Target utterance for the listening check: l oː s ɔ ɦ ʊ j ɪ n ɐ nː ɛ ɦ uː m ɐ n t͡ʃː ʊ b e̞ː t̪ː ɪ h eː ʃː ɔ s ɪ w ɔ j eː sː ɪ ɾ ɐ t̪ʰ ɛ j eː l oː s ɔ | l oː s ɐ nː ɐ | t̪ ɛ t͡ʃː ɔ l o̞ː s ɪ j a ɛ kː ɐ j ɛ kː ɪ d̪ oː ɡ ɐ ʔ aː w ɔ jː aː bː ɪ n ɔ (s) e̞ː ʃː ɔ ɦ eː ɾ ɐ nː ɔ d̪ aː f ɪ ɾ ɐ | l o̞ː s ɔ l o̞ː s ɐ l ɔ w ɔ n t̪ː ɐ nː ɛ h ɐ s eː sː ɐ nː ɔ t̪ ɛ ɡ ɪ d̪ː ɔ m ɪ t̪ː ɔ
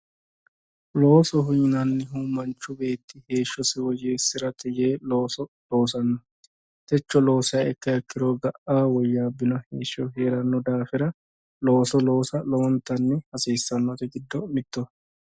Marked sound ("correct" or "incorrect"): incorrect